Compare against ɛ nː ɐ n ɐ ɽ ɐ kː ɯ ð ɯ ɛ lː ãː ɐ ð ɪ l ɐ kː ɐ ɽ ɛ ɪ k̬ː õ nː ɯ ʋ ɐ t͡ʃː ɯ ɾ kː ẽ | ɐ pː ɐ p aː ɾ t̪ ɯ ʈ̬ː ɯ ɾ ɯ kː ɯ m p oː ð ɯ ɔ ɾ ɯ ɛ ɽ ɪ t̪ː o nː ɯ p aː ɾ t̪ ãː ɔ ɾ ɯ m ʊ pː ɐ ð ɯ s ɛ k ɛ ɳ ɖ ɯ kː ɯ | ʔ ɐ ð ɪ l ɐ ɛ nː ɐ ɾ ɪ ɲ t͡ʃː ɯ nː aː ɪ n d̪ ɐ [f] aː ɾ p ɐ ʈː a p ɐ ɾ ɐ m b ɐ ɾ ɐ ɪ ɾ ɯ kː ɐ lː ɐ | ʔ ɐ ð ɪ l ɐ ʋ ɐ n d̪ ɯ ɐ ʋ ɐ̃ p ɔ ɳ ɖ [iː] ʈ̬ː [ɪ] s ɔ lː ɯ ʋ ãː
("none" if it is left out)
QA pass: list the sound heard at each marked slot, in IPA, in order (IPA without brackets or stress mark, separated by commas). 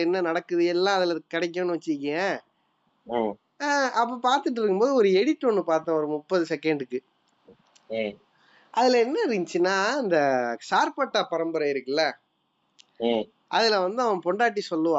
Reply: s, aː, i